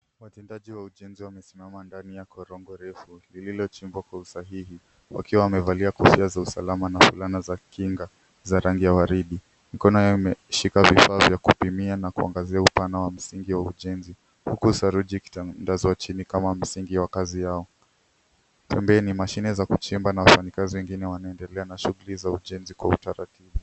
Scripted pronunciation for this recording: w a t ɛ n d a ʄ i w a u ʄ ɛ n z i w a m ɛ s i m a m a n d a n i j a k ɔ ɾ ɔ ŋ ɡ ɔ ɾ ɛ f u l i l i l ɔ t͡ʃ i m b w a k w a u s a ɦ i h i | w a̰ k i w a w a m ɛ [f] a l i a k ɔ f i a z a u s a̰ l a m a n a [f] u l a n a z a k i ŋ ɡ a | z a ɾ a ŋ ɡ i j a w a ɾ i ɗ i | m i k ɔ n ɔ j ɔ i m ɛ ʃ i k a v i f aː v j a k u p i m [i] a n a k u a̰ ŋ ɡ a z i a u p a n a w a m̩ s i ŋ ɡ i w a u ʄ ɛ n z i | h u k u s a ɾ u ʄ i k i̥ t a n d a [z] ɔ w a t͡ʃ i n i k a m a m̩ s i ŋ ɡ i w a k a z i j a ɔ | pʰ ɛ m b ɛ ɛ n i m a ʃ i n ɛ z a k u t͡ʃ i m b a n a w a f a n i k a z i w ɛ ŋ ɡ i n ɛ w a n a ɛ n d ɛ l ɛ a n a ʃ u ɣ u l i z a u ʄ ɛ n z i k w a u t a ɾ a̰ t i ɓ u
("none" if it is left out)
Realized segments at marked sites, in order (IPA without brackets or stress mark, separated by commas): v, f, i, z